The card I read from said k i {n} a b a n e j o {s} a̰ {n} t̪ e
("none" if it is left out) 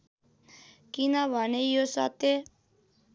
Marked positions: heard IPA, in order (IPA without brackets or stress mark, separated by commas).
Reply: n, s, none